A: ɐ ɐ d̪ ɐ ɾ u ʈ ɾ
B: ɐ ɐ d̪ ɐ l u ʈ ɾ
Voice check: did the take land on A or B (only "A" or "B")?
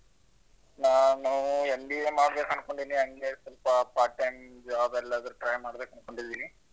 A